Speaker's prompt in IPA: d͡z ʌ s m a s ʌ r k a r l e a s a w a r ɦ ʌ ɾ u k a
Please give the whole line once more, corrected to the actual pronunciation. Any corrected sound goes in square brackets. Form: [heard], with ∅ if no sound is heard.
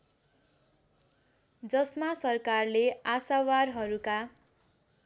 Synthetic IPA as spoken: d͡z ʌ s m a s ʌ r k a r l e a s a w a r ɦ ʌ ɾ u k a